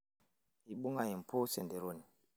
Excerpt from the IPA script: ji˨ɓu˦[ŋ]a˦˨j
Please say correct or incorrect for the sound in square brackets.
correct